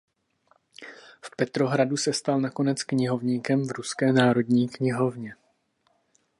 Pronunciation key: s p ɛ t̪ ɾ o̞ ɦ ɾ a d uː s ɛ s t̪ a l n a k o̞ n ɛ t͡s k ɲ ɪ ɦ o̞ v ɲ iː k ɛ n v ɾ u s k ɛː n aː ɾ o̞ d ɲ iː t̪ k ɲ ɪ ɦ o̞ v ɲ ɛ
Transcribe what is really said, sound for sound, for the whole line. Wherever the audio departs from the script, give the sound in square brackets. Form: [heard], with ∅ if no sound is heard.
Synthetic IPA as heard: [f] p ɛ t̪ ɾ o̞ ɦ ɾ a d [u] s ɛ s t̪ a l n a k o̞ n ɛ t͡s k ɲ ɪ ɦ o̞ v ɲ iː k ɛ [m] v ɾ u s k ɛː n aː ɾ o̞ d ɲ iː [∅] k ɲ ɪ ɦ o̞ v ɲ ɛ